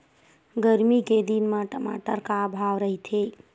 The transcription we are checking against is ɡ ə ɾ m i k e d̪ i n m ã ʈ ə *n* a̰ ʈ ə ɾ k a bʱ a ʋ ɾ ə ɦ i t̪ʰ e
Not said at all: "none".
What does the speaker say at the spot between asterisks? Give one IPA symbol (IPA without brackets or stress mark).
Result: m